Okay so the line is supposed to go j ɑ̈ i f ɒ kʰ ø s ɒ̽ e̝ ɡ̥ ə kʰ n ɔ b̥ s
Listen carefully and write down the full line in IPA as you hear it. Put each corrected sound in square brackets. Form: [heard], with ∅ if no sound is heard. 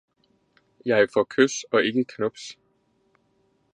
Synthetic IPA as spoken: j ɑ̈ [ɪ] f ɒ kʰ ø s ɒ̽ e̝ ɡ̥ ə kʰ n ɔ b̥ s